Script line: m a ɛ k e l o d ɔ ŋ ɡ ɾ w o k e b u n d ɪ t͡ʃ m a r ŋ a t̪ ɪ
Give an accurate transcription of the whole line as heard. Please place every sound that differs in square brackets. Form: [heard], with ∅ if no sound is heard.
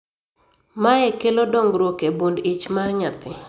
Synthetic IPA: m a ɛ k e l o d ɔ ŋ ɡ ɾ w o k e b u n d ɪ t͡ʃ m a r [ɲ] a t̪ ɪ